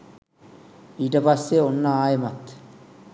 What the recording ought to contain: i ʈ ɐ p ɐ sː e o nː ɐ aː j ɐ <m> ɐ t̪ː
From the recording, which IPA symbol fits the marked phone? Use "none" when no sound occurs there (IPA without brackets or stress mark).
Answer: m